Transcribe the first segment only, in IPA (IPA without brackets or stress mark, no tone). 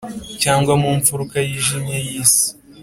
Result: c